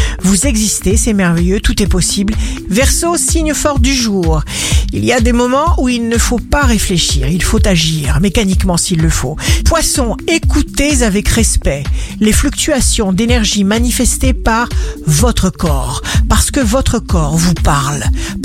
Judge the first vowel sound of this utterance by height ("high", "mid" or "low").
high